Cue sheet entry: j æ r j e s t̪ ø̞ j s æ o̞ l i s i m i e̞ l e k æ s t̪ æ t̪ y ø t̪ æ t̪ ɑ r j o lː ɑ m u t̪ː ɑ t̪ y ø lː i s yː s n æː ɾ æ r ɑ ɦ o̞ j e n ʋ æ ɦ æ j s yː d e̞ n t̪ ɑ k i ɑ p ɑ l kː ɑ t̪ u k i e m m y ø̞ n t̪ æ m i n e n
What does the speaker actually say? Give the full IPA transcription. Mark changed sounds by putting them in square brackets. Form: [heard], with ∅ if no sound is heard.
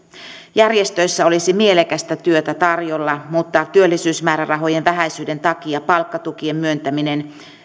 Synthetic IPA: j æ r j e s t̪ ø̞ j [sː] æ o̞ l i s i m i e̞ l e k æ s t̪ æ t̪ y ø t̪ æ t̪ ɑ r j o lː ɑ m u t̪ː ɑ t̪ y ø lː i s yː s [m] æː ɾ æ r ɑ ɦ o̞ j e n ʋ æ ɦ æ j s yː d e̞ n t̪ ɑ k i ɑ p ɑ l kː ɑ t̪ u k i e m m y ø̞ n t̪ æ m i n e n